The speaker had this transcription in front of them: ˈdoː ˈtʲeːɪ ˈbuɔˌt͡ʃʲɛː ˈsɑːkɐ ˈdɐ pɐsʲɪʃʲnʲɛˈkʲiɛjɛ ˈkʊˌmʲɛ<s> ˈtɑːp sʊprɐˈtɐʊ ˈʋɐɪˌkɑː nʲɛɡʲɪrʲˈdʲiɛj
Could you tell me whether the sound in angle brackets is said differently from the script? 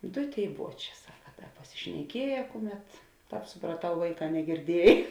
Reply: yes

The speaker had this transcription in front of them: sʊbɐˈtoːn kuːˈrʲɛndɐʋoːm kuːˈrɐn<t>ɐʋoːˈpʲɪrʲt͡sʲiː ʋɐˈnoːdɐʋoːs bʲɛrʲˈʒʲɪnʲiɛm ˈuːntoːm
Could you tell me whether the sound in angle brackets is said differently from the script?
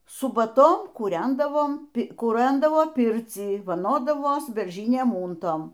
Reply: yes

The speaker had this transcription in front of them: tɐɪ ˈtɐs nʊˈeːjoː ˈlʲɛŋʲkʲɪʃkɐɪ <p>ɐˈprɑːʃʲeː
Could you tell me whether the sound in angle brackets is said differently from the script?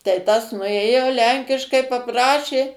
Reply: no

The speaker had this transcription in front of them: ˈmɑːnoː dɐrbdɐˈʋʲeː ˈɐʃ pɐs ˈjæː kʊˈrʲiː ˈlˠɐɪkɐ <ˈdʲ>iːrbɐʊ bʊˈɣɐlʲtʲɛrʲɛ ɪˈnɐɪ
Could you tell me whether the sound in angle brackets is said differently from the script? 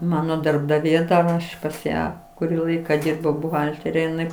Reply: no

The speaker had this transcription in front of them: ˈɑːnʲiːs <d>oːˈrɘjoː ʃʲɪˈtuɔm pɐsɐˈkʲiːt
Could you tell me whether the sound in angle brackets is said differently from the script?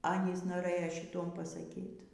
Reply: yes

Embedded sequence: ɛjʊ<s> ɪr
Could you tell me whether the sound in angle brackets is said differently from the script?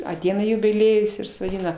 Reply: no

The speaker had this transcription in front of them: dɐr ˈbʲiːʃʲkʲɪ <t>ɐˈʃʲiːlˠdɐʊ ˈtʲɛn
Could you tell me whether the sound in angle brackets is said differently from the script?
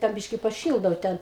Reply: yes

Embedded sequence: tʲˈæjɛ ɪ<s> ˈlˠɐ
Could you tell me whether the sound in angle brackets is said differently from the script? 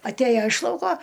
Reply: yes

